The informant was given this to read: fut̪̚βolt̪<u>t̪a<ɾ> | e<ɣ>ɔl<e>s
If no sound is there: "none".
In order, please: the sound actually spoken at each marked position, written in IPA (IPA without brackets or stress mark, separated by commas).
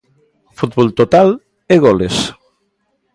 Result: o, l, ɣ, e